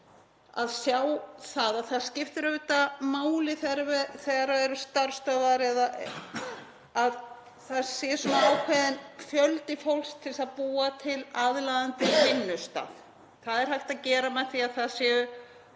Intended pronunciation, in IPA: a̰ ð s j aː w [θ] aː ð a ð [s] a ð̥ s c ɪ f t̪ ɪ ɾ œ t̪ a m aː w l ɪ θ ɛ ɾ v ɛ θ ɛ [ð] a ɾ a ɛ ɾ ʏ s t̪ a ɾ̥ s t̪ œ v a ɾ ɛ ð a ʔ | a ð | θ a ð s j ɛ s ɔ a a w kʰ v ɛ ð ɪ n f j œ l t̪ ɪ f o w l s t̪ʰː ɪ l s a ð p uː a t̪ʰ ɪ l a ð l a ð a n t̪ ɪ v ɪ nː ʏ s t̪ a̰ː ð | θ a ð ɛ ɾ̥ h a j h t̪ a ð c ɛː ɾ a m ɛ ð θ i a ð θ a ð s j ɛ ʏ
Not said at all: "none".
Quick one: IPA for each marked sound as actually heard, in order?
θ, θ, ɣ

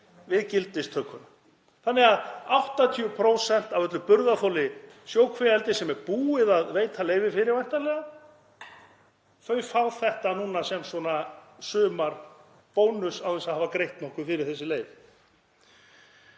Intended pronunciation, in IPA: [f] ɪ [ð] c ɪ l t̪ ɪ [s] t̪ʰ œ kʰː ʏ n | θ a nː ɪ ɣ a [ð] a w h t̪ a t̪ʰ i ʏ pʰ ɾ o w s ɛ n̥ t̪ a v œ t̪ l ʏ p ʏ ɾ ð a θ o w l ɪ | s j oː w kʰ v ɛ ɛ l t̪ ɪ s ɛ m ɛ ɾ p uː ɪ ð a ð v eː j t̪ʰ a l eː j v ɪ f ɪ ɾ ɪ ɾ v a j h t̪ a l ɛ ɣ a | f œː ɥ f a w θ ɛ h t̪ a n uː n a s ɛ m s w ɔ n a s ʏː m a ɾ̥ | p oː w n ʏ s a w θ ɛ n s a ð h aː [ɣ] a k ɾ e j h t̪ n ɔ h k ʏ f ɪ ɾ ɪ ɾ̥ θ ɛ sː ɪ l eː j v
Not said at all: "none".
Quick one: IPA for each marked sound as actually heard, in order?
v, ð, s, ð, v

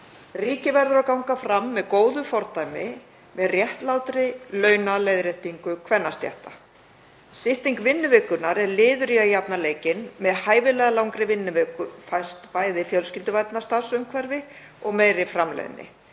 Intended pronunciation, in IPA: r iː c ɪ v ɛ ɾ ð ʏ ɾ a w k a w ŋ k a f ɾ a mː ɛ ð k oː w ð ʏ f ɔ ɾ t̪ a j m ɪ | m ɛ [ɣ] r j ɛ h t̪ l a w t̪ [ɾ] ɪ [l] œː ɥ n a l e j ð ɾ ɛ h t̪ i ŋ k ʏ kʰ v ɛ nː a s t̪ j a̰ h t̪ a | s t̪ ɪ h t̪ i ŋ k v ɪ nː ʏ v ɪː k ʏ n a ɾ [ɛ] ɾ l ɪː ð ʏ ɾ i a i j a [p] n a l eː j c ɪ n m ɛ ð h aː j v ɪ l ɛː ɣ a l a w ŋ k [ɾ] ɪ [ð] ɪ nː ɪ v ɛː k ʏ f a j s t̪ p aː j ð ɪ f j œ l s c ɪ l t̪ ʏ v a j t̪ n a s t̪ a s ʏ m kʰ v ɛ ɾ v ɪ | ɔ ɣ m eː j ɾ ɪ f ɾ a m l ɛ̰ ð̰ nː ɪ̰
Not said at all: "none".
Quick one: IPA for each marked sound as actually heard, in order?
ð, ɾ, l, ɛ, p, ɾ, v

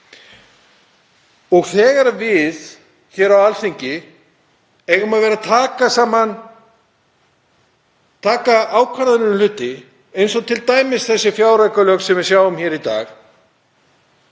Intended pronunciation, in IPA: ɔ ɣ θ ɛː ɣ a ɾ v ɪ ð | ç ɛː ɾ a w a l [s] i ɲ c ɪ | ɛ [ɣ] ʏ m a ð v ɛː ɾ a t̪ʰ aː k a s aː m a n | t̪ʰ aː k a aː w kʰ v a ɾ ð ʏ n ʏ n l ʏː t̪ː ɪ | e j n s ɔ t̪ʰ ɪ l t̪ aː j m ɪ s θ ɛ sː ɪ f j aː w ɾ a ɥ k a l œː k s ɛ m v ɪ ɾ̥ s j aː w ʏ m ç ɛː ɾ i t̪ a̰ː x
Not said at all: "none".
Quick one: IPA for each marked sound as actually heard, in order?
θ, ɣ

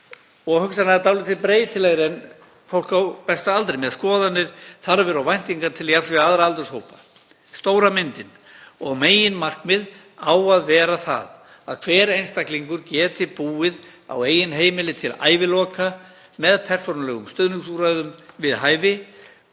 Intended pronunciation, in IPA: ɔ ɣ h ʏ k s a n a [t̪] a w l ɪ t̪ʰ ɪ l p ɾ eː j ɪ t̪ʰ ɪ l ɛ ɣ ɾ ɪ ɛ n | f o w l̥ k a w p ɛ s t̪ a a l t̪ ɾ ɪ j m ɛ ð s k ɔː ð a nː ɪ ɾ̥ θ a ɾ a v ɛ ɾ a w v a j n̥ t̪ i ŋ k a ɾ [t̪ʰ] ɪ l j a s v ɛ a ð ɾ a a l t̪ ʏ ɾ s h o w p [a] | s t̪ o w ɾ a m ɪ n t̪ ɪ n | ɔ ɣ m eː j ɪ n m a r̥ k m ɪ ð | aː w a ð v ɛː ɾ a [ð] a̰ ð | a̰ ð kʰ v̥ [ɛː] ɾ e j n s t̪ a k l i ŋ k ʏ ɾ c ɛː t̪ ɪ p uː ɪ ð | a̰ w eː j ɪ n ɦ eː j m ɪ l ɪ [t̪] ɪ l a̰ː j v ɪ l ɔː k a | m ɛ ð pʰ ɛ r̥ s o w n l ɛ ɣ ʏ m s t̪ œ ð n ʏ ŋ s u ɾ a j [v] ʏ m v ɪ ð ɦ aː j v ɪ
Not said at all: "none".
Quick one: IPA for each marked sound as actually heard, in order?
t̪, t̪ʰ, a, θ, ɛː, t̪ʰ, ð

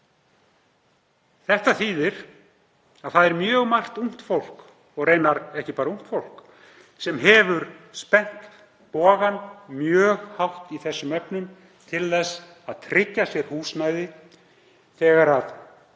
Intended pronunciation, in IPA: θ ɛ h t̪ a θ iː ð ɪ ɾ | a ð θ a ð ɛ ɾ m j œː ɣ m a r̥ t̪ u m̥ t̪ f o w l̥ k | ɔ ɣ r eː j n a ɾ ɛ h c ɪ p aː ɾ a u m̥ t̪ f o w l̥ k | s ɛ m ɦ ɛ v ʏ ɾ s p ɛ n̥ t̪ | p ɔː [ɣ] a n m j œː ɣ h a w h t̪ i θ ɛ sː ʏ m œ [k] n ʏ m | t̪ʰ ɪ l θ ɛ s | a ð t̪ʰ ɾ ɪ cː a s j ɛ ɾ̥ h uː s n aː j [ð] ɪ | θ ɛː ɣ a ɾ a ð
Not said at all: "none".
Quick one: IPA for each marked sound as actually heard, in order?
ɣ, p, ð

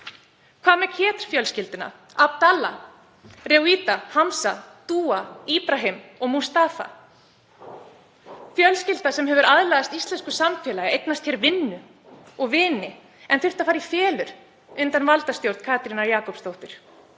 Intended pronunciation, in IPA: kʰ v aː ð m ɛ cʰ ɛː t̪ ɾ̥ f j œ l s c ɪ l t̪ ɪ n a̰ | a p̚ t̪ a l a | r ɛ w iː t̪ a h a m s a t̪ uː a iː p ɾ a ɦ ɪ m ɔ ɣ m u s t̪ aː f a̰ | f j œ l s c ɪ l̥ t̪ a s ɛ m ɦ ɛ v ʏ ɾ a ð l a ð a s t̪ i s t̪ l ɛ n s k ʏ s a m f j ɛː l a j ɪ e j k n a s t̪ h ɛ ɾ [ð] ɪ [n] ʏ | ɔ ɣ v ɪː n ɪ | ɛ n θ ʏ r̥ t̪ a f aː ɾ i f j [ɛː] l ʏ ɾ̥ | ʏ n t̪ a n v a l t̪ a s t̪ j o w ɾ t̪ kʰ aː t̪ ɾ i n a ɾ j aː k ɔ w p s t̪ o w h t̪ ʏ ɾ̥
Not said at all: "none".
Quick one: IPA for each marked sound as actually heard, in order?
v, nː, ɛː

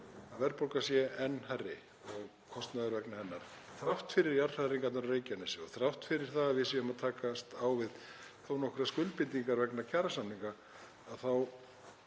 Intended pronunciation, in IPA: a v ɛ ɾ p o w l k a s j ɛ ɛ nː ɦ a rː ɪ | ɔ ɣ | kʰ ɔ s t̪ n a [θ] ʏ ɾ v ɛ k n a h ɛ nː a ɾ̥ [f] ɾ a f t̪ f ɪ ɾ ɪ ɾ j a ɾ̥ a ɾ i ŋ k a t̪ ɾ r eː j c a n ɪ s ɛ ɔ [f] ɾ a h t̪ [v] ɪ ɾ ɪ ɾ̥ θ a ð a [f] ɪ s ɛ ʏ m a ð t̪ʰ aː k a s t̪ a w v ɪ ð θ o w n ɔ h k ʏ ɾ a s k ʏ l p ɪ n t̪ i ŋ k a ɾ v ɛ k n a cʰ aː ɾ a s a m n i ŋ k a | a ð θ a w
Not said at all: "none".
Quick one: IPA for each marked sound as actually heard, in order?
ð, θ, θ, f, v

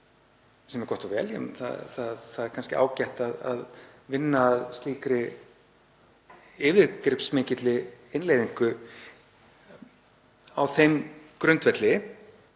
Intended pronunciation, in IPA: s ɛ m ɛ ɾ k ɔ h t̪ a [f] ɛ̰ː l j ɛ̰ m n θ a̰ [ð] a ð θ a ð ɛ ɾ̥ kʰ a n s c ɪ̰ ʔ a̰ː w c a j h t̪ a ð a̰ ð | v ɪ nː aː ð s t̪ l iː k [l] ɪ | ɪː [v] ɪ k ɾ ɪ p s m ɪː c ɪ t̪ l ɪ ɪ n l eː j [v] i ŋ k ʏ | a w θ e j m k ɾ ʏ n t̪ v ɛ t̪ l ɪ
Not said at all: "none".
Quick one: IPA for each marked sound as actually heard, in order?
v, θ, ɾ, v, ð

